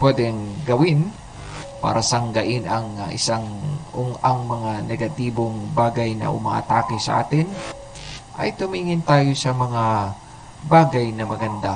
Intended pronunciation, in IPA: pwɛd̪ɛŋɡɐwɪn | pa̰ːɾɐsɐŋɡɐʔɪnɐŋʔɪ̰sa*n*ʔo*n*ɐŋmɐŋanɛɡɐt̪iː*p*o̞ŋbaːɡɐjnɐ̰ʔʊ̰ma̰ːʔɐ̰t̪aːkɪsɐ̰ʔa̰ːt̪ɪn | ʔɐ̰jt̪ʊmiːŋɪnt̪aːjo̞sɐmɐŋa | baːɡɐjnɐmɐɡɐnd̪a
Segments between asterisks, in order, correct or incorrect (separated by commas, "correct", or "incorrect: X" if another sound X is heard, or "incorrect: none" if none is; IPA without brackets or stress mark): incorrect: ŋ, incorrect: ŋ, incorrect: b